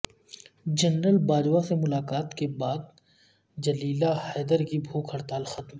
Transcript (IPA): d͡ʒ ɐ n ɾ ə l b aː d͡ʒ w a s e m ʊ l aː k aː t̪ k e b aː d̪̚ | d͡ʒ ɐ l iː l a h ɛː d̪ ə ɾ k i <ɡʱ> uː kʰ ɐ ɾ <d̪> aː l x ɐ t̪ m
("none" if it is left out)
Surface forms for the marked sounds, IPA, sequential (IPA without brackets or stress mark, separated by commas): bʱ, t̪